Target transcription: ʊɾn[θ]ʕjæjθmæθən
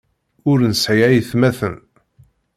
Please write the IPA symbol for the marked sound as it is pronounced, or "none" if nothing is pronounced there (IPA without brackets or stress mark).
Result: s